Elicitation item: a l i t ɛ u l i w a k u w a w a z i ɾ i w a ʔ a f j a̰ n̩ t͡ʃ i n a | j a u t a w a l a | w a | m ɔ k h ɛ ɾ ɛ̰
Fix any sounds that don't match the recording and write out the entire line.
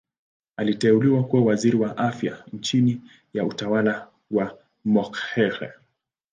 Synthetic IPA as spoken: a l i t ɛ u l i w a k u w a w a z i ɾ i w a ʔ a f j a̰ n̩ t͡ʃ i n i | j a u t a w a l a | w a | m ɔ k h ɛ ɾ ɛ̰